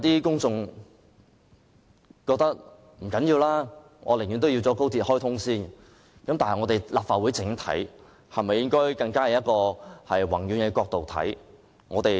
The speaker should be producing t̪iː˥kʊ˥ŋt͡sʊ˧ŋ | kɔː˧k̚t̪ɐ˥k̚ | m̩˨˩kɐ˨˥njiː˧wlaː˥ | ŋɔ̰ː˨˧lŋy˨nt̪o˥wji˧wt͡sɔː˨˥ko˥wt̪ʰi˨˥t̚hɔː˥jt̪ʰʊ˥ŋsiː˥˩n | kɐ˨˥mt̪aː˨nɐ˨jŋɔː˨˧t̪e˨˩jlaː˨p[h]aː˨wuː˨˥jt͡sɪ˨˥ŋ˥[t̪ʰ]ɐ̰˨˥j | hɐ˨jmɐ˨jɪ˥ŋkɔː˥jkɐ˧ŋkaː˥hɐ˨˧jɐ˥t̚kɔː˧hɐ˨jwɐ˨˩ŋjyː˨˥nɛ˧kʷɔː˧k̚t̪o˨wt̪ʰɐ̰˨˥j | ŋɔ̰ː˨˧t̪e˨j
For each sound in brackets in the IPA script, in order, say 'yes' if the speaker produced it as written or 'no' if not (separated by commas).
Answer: no, yes